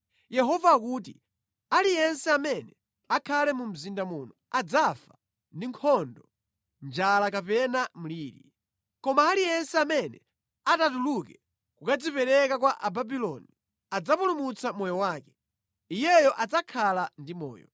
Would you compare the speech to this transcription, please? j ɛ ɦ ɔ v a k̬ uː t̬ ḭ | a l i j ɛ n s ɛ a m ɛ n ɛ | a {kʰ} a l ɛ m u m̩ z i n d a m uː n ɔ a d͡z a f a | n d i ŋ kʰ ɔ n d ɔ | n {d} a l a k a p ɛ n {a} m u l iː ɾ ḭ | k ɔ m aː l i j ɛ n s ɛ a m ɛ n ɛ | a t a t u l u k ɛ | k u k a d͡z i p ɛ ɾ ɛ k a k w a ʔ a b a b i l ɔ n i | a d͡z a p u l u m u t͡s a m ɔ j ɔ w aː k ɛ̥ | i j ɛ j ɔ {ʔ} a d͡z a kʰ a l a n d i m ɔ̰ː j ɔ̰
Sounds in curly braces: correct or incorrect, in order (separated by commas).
correct, incorrect, correct, correct